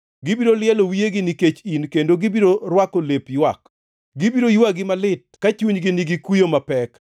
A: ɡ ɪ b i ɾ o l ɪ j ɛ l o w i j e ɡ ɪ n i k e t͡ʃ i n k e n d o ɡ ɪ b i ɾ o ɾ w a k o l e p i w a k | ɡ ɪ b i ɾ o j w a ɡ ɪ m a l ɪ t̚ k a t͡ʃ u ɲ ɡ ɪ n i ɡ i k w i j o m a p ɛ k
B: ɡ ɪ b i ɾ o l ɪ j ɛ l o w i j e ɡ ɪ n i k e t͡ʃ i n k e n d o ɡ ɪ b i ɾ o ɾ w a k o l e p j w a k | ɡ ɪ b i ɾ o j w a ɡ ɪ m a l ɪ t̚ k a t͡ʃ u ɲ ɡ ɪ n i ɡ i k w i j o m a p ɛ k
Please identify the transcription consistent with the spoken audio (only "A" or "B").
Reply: B